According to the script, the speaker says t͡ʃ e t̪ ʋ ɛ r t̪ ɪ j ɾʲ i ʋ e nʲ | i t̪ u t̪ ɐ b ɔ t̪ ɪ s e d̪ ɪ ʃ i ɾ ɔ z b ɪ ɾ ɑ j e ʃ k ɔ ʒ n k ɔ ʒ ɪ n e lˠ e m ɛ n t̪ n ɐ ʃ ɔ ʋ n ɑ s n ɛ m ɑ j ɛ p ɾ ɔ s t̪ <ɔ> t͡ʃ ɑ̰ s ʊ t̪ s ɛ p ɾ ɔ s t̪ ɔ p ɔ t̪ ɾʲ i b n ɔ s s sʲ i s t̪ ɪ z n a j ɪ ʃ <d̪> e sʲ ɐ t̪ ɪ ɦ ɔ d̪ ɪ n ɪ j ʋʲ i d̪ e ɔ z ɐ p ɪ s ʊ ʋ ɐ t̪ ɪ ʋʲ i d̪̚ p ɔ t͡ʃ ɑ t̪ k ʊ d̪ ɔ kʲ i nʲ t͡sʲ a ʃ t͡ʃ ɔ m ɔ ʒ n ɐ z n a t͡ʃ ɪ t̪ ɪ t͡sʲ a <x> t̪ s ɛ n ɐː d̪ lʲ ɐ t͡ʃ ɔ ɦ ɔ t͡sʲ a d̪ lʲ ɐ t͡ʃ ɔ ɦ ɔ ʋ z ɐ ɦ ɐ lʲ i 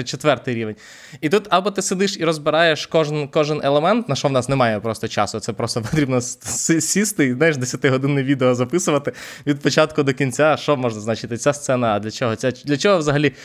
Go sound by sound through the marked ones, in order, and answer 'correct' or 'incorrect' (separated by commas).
correct, correct, incorrect